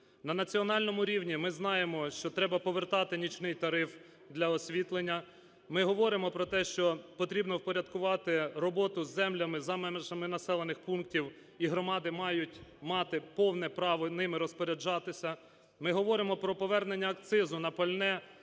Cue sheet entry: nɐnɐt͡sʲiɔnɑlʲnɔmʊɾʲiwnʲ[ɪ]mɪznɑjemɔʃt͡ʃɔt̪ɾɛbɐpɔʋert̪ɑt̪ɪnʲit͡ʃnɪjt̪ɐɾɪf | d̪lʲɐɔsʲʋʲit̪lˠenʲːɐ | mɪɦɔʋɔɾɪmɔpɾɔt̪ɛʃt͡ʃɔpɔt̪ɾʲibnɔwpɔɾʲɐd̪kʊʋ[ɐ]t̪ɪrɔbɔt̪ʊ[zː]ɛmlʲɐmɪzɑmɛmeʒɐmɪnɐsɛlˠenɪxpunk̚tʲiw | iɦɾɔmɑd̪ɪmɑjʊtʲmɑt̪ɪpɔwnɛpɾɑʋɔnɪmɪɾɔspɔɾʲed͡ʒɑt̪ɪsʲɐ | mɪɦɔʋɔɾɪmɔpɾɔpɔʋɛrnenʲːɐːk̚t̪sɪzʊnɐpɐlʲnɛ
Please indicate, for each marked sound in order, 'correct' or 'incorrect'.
incorrect, incorrect, correct

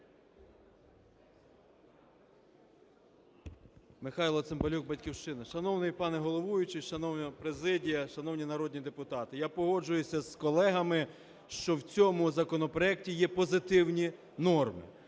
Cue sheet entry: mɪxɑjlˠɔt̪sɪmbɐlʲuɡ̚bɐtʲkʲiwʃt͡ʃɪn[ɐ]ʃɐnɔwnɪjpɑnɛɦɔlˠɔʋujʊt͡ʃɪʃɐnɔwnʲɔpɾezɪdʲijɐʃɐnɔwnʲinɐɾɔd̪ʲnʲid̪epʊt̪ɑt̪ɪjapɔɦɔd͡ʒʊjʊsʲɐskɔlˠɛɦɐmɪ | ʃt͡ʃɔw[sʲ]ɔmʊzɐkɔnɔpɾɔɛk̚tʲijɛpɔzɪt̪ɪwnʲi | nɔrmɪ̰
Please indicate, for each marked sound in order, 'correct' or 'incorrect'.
correct, incorrect

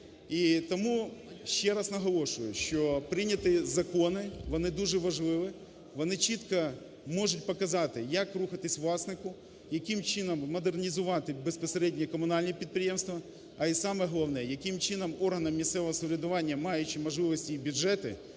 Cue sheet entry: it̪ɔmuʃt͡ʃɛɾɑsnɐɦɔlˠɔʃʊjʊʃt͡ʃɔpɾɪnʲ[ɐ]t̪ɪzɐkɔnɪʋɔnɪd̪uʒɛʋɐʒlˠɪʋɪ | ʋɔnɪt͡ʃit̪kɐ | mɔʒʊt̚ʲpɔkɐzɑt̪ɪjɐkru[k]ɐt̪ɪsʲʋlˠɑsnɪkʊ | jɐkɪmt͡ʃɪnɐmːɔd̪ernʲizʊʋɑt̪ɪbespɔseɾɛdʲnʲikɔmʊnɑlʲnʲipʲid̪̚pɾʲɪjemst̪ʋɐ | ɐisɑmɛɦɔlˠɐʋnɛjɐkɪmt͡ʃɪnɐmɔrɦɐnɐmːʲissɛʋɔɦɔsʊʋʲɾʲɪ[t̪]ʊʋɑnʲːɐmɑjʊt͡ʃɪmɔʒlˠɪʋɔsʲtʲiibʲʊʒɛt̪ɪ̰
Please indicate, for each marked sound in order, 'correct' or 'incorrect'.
correct, incorrect, incorrect

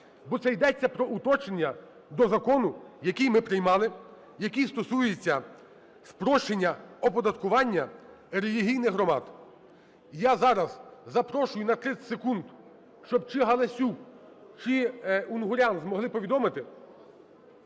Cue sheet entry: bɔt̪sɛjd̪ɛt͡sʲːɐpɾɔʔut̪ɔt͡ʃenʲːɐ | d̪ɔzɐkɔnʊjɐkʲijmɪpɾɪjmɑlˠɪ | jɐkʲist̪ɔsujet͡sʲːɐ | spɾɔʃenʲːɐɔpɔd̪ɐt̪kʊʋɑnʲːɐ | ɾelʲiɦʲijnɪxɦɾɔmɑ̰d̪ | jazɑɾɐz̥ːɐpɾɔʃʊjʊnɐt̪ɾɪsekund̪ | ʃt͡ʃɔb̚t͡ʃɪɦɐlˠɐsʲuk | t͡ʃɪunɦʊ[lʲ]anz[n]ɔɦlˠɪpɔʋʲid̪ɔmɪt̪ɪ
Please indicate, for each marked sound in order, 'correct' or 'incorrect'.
incorrect, incorrect

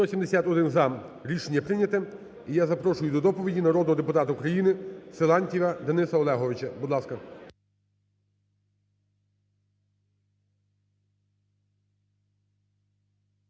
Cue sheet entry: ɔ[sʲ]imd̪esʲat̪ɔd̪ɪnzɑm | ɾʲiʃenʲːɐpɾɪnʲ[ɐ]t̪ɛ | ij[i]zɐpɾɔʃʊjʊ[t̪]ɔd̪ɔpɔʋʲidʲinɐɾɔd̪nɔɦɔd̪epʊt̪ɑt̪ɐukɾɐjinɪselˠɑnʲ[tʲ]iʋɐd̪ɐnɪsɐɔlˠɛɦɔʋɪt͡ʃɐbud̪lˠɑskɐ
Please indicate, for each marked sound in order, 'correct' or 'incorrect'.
correct, correct, incorrect, incorrect, correct

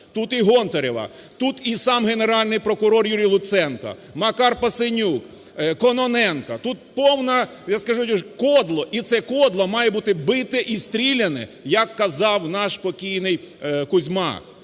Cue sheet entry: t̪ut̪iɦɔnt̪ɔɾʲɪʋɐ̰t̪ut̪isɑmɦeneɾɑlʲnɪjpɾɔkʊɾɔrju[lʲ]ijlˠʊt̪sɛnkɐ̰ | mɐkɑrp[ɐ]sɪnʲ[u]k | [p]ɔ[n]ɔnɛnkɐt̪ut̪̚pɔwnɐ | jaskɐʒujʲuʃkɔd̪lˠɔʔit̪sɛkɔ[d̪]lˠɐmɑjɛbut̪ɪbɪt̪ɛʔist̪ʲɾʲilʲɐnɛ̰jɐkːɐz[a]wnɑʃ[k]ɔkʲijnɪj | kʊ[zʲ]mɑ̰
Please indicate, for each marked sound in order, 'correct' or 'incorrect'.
incorrect, correct, correct, incorrect, correct, correct, incorrect, incorrect, correct

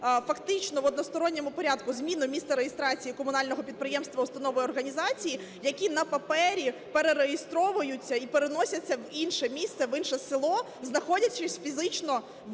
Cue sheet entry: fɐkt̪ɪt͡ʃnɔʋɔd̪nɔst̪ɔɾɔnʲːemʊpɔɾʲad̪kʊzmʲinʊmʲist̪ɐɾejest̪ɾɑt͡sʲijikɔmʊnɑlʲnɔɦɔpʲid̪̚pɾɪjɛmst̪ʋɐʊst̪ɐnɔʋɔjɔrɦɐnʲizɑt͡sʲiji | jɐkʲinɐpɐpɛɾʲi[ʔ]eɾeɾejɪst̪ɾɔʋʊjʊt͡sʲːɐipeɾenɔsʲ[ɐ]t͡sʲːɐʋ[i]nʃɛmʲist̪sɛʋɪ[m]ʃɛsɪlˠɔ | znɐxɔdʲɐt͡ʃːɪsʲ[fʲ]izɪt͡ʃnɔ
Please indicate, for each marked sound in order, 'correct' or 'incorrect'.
incorrect, correct, correct, incorrect, correct

